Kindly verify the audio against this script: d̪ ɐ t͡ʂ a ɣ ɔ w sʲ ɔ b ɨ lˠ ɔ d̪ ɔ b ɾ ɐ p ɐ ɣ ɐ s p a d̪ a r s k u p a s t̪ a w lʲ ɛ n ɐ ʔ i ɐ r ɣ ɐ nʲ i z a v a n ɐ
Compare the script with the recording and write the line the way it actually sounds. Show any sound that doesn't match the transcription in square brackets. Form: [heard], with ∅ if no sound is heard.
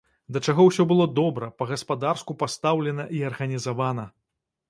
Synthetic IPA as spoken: d̪ ɐ t͡ʂ a ɣ ɔ w sʲ ɔ b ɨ lˠ ɔ d̪ ɔ b ɾ ɐ p ɐ ɣ ɐ s p a d̪ a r s k u p a s t̪ a w lʲ ɛ n ɐ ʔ i ɐ r ɣ ɐ nʲ i z a v a n ɐ